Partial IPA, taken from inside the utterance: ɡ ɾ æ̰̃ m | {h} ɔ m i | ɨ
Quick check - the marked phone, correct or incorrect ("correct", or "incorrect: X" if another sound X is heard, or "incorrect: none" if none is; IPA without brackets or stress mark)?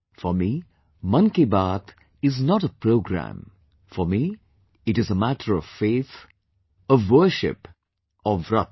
incorrect: f